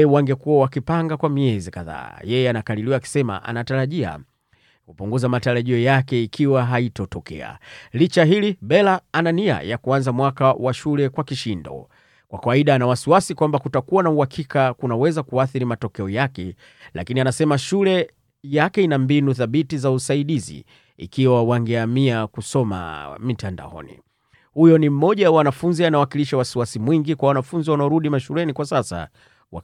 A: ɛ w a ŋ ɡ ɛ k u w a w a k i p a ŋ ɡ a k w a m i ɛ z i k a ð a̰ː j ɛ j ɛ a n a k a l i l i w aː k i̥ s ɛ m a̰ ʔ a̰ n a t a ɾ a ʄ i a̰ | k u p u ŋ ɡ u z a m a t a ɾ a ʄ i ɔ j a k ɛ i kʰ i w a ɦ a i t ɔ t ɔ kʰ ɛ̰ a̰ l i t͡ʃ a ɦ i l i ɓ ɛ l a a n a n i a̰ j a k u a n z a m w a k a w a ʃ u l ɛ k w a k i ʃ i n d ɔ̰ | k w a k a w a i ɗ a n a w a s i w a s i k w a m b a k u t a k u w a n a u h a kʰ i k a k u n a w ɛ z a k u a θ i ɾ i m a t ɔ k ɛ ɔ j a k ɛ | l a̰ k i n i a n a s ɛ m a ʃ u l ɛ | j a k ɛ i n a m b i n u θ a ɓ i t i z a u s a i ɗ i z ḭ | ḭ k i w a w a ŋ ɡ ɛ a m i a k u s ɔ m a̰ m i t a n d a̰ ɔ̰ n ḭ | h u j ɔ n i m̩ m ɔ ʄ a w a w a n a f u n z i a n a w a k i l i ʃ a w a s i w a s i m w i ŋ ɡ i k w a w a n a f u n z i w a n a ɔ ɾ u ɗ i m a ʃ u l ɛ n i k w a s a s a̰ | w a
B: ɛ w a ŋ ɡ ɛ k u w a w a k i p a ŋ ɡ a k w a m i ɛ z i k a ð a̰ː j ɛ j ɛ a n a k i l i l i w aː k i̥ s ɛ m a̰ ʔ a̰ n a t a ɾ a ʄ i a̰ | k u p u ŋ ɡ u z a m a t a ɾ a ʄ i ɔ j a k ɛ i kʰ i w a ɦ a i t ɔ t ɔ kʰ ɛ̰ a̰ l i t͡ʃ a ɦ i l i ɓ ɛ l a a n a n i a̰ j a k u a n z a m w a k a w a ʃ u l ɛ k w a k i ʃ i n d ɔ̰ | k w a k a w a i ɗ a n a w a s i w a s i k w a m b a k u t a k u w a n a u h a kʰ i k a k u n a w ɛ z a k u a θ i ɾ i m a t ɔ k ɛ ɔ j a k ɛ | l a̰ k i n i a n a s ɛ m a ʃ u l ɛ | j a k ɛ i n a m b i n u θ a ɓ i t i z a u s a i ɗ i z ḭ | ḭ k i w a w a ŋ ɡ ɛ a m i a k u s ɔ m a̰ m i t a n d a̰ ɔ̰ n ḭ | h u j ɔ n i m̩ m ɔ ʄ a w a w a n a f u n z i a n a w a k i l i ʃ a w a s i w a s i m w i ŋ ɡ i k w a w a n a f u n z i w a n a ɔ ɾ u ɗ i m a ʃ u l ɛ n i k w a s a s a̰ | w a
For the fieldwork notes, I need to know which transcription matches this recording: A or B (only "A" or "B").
A